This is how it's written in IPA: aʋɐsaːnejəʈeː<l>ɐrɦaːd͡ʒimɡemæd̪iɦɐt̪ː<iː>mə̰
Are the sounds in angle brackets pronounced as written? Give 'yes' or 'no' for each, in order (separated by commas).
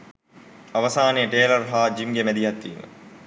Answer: yes, yes